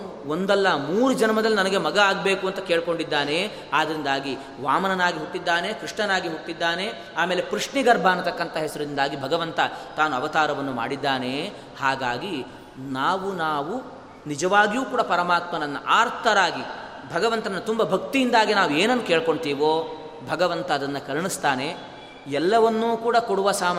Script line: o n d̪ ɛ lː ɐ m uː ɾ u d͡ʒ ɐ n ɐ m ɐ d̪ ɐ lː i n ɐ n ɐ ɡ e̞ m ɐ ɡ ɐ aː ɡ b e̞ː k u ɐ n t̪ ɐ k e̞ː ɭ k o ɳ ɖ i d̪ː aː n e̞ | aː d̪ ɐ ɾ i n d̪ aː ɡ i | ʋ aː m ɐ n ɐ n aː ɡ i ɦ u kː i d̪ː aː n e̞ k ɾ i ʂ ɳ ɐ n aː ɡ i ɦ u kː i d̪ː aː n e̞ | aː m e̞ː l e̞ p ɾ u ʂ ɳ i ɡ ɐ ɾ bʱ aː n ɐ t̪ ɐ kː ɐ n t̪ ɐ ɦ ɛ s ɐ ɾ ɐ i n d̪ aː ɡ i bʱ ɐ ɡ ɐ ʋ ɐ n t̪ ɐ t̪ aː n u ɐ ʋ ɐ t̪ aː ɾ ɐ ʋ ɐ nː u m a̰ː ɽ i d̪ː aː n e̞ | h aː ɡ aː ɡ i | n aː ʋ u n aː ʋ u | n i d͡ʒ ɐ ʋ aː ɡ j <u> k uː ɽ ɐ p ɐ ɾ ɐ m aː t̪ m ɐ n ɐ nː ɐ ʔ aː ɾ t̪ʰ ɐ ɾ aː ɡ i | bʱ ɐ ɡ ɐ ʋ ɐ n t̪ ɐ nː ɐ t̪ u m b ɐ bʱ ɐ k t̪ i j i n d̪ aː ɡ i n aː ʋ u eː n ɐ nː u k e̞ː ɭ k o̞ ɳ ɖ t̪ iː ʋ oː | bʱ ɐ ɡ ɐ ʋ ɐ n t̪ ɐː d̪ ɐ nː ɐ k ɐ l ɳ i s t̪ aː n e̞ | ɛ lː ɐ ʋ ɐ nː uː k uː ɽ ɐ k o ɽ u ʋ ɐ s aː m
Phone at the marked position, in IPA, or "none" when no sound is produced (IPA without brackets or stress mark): uː